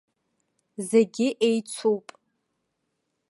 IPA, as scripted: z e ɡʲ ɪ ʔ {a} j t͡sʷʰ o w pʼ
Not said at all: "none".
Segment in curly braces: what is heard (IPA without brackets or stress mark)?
e